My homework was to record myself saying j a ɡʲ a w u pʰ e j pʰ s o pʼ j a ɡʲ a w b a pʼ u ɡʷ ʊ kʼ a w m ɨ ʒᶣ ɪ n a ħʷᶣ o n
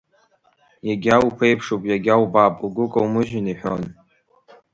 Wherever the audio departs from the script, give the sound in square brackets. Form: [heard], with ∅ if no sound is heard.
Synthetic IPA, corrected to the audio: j a ɡʲ a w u pʰ e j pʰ [ʂ] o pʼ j a ɡʲ a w b a pʼ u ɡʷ ʊ kʼ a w m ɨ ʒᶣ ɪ n [i] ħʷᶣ o n